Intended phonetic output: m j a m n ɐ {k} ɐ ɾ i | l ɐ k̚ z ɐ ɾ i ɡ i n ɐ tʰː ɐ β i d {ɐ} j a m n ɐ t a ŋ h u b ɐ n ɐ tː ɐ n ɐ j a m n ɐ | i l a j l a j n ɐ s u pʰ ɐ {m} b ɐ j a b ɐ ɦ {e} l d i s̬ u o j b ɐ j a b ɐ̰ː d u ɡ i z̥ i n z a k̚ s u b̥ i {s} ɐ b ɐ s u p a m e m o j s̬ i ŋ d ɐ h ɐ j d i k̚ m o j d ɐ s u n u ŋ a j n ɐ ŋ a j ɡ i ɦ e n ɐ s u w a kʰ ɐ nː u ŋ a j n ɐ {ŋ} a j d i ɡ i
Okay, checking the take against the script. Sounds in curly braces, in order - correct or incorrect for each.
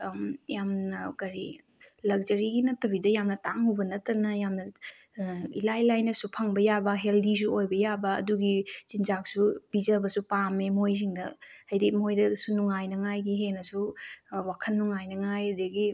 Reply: correct, correct, incorrect: ŋ, correct, incorrect: z, correct

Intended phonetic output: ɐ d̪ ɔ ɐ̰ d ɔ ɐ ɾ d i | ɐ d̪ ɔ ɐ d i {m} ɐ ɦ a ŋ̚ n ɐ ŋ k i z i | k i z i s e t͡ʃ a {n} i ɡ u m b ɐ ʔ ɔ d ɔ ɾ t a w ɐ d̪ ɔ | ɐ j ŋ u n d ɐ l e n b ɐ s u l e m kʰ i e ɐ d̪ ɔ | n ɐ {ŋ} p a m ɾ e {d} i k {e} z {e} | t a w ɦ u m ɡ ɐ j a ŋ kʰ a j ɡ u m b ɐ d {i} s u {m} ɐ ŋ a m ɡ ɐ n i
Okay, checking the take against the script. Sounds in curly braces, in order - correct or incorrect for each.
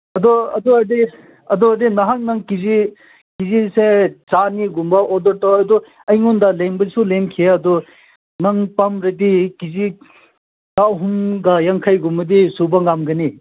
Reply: incorrect: n, correct, correct, correct, incorrect: i, incorrect: i, correct, incorrect: b

